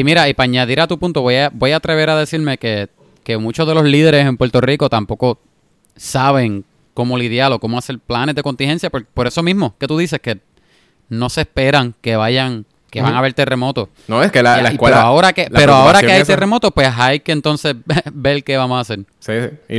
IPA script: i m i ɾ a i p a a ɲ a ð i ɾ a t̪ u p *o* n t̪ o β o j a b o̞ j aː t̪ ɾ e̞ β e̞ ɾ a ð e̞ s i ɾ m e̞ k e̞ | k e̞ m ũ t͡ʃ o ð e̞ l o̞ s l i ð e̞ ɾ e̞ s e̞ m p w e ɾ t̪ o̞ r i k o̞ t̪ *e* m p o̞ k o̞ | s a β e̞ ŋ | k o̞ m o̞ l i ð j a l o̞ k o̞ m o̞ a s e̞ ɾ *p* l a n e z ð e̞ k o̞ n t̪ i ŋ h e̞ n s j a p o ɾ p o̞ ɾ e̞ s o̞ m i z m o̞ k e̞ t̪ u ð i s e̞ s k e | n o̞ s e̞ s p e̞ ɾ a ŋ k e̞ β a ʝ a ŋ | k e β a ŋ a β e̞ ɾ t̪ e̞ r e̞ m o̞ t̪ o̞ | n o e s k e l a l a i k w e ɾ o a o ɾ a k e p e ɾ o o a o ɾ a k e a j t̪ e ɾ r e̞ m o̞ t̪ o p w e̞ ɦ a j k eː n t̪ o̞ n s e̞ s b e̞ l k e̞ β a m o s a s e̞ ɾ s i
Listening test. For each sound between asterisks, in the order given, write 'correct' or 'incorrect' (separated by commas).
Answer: incorrect, incorrect, correct